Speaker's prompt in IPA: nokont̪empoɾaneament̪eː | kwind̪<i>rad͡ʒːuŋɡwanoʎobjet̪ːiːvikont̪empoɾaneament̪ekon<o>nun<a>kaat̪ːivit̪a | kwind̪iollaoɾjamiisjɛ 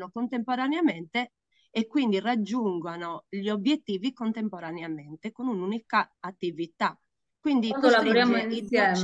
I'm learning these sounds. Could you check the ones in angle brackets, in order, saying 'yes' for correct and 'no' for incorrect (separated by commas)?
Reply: yes, no, no